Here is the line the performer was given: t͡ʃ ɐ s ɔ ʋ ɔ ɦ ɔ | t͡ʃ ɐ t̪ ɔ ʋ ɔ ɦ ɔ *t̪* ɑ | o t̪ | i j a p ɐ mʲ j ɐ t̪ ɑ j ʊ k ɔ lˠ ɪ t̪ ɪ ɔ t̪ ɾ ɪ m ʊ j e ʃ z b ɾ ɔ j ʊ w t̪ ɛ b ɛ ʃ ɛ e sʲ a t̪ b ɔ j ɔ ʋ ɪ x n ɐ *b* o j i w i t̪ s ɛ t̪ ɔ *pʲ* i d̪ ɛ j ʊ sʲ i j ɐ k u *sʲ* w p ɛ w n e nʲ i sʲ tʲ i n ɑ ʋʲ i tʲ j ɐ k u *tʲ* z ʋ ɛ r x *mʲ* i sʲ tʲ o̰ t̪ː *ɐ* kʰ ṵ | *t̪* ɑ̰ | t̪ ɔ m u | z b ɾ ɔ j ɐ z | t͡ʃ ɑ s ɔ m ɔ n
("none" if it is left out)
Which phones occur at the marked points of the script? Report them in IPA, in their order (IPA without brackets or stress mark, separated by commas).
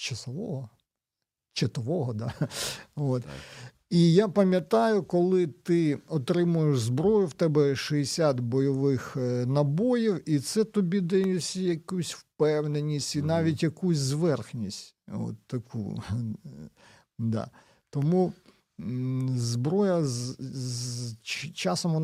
d̪, b, bʲ, sʲ, sʲ, nʲ, ɐ, d̪